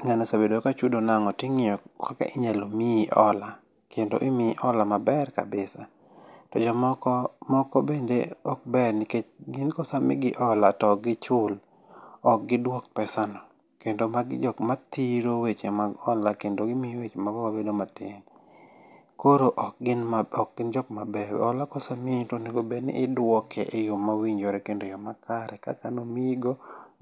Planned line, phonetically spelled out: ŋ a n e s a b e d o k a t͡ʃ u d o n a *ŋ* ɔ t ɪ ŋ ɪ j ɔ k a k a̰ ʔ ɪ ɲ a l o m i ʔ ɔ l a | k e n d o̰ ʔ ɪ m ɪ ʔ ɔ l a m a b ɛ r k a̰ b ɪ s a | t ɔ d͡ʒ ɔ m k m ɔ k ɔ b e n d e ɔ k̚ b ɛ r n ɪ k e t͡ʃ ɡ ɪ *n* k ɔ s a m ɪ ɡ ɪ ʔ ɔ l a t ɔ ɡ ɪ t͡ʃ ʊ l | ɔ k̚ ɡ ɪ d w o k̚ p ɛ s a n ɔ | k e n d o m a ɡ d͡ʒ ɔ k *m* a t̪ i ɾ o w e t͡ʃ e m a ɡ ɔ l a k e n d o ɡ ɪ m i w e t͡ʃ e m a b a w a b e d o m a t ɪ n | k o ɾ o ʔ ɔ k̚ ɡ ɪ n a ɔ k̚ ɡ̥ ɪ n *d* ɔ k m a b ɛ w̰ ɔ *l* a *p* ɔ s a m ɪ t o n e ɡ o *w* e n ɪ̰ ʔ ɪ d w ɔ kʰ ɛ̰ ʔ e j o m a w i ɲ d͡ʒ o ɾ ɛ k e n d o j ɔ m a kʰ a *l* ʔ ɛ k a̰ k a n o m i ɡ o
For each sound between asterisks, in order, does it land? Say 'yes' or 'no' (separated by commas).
yes, yes, yes, no, yes, no, no, no